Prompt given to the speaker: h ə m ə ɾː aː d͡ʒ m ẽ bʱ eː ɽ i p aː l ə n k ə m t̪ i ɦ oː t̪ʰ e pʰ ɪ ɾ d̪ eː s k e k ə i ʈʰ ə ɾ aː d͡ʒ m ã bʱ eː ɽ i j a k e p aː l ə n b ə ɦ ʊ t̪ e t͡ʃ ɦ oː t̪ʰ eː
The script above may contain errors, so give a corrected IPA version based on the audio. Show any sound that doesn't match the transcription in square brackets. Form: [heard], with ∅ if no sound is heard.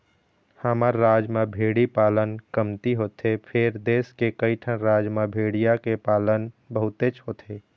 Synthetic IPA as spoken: h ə m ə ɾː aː d͡ʒ m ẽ bʱ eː ɽ i p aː l ə n k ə m t̪ i ɦ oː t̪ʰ e pʰ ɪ ɾ d̪ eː s k e k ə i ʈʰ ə ɾ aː d͡ʒ m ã bʱ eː ɽ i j a k e p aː l ə n b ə ɦ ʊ t̪ e t͡ʃ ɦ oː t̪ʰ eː